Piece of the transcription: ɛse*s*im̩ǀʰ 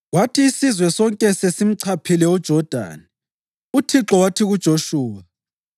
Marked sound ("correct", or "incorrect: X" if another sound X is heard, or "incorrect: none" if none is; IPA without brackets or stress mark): correct